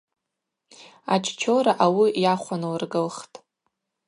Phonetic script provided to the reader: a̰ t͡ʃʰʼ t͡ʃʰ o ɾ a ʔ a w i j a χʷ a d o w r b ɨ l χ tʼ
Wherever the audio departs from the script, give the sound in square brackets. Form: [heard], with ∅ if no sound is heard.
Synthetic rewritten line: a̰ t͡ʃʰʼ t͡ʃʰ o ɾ a ʔ a w i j a χʷ a [n] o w r [ɡ] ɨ l χ tʼ